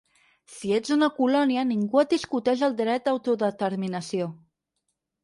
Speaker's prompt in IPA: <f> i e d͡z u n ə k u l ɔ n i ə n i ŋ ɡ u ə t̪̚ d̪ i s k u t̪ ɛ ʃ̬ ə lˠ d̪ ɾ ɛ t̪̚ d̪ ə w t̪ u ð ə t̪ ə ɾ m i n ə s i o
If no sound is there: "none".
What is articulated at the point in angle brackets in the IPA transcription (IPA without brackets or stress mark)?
s